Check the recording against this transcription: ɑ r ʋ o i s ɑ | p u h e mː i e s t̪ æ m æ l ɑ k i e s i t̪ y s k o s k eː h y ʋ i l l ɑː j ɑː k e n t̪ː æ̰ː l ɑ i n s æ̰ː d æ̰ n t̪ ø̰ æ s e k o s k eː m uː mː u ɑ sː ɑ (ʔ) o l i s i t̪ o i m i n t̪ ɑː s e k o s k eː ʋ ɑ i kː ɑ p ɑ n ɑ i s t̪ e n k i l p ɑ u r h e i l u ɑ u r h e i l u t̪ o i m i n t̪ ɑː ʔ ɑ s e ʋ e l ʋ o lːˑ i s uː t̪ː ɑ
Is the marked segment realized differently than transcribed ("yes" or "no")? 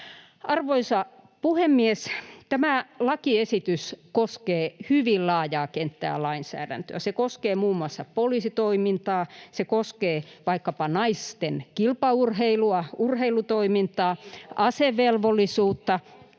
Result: yes